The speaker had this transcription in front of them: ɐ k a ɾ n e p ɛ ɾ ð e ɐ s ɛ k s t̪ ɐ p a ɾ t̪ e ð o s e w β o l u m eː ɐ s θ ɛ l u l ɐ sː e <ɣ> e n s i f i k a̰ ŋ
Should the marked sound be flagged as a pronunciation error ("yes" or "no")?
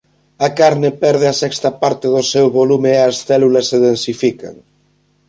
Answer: yes